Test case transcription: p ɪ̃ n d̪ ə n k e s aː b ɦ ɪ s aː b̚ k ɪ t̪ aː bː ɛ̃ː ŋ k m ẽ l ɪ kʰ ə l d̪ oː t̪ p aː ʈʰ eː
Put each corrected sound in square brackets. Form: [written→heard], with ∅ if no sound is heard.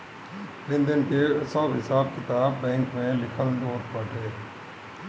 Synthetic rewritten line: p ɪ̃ n d̪ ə n k e s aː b ɦ ɪ s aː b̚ k ɪ t̪ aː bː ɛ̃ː ŋ k m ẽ l ɪ kʰ ə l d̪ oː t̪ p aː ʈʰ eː

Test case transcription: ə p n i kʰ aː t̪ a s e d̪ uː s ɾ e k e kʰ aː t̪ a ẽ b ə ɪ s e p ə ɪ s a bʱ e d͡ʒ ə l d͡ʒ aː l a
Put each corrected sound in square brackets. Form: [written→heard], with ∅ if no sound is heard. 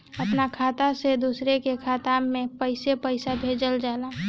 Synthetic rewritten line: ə p n [i→a] kʰ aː t̪ a s e d̪ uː s ɾ e k e kʰ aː t̪ a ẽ [b→p] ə ɪ s e p ə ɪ s a bʱ e d͡ʒ ə l d͡ʒ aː l a

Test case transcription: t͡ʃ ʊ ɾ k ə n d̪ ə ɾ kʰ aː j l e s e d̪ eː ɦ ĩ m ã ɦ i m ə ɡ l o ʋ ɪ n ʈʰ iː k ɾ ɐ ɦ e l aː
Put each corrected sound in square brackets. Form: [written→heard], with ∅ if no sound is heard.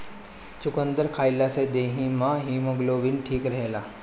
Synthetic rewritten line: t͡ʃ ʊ [ɾ→∅] k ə n d̪ ə ɾ kʰ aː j l [e→a] s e d̪ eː ɦ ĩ m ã ɦ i m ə ɡ l o ʋ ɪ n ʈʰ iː k ɾ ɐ ɦ e l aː

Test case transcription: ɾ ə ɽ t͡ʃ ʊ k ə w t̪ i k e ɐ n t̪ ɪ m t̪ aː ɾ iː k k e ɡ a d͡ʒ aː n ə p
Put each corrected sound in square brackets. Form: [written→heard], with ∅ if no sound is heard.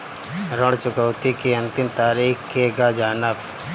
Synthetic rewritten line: ɾ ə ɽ t͡ʃ ʊ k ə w t̪ i k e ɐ n t̪ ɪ m t̪ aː ɾ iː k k e ɡ a d͡ʒ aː n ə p

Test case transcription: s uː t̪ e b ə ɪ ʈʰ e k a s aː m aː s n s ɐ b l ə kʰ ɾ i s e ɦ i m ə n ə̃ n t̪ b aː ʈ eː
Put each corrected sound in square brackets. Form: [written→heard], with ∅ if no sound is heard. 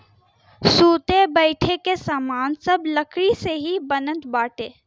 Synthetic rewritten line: s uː t̪ e b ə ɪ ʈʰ e k [a→e] s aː m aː [s→∅] n s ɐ b l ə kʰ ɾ i s e ɦ i [m→b] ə n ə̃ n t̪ b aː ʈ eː

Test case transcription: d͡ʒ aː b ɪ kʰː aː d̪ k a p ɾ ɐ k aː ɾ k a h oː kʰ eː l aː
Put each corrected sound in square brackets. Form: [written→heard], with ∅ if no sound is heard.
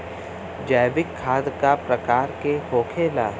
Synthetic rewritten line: d͡ʒ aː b ɪ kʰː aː d̪ k a p ɾ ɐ k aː ɾ k [a→e] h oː kʰ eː l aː

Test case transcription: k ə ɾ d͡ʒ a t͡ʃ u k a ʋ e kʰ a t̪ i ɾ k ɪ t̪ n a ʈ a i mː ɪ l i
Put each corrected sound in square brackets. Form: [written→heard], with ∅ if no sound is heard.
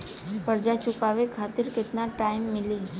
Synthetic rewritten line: [k→p] ə ɾ d͡ʒ a t͡ʃ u k a ʋ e kʰ a t̪ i ɾ k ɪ t̪ n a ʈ a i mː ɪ l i

